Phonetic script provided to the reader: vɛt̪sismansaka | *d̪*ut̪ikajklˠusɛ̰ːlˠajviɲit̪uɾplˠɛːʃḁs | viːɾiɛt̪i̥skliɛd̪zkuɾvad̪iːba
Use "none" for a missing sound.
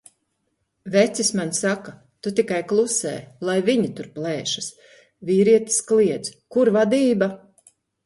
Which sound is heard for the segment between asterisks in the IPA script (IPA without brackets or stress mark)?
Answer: t̪